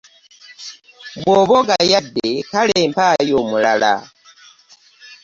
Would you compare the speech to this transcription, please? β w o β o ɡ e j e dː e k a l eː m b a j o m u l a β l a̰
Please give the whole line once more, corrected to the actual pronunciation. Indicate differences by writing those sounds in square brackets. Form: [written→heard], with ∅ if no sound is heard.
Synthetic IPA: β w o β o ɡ [e→a] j [e→a] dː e k a l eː m [b→p] a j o m u l a [β→∅] l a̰